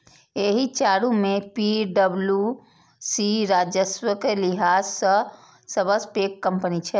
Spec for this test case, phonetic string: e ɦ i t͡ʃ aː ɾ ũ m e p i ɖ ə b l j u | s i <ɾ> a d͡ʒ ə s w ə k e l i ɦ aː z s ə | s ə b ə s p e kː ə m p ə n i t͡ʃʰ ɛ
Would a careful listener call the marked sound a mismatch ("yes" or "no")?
no